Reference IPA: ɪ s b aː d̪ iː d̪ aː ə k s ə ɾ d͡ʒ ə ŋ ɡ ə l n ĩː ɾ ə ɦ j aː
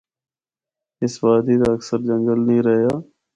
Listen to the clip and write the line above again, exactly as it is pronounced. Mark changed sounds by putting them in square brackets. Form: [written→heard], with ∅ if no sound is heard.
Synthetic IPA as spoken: ɪ s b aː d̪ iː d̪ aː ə k s ə ɾ d͡ʒ ə ŋ ɡ ə l n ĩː ɾ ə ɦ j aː

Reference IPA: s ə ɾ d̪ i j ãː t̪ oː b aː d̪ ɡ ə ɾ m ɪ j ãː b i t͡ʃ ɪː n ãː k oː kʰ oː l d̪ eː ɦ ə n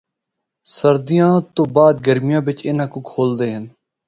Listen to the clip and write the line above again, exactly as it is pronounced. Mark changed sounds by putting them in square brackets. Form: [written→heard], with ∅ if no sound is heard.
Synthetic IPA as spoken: s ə ɾ d̪ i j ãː t̪ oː b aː d̪ ɡ ə ɾ m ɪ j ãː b [i→ɪ] t͡ʃ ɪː n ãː k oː kʰ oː l d̪ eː ɦ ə n

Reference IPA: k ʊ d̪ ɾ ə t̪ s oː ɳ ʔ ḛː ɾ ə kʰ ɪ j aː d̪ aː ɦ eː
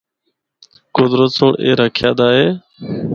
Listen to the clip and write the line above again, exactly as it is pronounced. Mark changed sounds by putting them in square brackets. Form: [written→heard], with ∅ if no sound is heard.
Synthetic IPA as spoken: k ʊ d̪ ɾ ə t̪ s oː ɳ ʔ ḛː ɾ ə kʰ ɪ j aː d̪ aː ɦ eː

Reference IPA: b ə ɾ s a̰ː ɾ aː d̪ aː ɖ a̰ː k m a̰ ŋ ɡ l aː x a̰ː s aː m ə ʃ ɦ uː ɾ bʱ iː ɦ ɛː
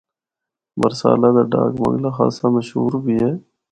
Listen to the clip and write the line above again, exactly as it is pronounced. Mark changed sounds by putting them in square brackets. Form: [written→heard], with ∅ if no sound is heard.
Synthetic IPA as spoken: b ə ɾ s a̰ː [ɾ→l] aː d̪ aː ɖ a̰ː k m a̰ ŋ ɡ l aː x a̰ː s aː m ə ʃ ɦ uː ɾ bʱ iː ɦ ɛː

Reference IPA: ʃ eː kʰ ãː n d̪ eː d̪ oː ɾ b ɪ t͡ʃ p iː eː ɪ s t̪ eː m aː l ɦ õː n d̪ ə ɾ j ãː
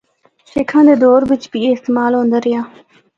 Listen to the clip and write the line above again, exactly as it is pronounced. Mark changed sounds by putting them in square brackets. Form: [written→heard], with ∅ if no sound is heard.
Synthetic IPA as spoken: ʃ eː kʰ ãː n d̪ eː d̪ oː ɾ b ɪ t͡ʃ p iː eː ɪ s t̪ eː m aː l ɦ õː n d̪ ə ɾ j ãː

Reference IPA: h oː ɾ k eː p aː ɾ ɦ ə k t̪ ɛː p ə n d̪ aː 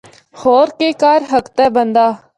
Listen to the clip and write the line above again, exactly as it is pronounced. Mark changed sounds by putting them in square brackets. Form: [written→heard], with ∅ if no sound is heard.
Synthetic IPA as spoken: h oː ɾ k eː [p→k] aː ɾ ɦ ə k t̪ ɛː [p→b] ə n d̪ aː

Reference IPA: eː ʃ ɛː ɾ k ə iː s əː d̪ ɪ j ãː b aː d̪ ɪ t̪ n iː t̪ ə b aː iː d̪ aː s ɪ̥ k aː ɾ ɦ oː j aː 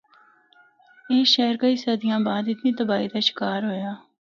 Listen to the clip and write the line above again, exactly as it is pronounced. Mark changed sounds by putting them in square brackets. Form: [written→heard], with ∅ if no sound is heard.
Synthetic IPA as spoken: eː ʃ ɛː ɾ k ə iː s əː d̪ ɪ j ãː b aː d̪ ɪ t̪ n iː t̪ ə b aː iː d̪ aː [s→ʃ] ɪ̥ k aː ɾ ɦ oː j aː

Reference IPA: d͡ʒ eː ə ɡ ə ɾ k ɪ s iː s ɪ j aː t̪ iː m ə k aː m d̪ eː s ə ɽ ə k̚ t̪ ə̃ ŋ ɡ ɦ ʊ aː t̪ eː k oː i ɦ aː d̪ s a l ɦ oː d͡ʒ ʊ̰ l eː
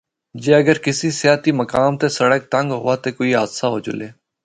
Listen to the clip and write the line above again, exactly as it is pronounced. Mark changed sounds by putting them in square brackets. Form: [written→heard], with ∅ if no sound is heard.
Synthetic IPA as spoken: d͡ʒ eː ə ɡ ə ɾ k ɪ s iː s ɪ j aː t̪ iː m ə k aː m [d̪→t̪] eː s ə ɽ ə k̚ t̪ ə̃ ŋ ɡ ɦ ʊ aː t̪ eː k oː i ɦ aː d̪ s a [l→∅] ɦ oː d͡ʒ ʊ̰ l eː

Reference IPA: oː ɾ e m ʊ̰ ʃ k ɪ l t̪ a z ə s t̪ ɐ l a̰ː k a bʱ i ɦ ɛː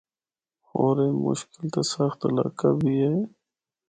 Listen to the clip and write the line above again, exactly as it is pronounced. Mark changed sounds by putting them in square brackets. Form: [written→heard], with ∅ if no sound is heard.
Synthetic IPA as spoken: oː ɾ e m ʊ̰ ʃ k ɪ l t̪ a [z→s] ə [s→x] t̪ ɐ l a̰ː k a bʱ i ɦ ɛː

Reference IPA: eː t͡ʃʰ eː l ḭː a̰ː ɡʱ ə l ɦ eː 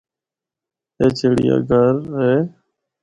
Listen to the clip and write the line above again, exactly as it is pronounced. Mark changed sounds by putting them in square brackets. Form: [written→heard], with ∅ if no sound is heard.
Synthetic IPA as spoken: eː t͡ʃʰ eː [l→ɽ] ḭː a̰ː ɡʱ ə [l→ɾ] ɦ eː

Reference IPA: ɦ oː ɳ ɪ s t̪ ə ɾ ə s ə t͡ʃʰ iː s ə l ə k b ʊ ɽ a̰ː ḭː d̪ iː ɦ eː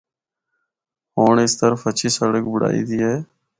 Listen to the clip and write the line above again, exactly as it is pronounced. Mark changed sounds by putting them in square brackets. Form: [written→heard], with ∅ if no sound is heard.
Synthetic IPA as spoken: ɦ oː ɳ ɪ s t̪ ə ɾ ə [s→f] ə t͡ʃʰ iː s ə [l→ɽ] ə k b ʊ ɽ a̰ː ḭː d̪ iː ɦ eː

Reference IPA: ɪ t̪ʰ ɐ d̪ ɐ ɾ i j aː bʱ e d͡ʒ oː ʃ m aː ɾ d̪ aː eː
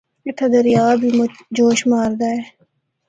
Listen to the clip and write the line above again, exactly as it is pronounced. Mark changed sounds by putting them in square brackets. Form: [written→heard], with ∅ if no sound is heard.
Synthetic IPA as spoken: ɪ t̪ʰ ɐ d̪ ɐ ɾ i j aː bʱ [e→i] d͡ʒ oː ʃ m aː ɾ d̪ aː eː

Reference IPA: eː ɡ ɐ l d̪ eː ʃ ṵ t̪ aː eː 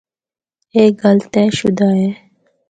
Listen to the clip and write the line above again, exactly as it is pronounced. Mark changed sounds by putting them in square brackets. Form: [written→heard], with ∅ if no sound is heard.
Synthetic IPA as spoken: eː ɡ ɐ l [d̪→t̪] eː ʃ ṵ [t̪→d̪] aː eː

